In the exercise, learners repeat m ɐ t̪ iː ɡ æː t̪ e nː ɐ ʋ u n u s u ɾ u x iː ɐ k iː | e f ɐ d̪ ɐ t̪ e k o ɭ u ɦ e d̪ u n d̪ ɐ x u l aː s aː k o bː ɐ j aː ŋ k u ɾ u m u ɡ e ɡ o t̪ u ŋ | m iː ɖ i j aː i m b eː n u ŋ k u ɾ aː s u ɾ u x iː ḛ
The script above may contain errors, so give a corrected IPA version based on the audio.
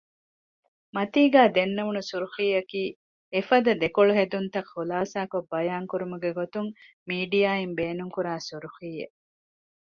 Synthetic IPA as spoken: m ɐ t̪ iː ɡ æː d̪ e nː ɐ ʋ u n u s u ɾ u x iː ɐ k iː | e f ɐ d̪ ɐ d̪ e k o ɭ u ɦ e d̪ u n t̪ ɐ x u l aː s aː k o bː ɐ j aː ŋ k u ɾ u m u ɡ e ɡ o t̪ u ŋ | m iː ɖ i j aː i m b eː n u ŋ k u ɾ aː s u ɾ u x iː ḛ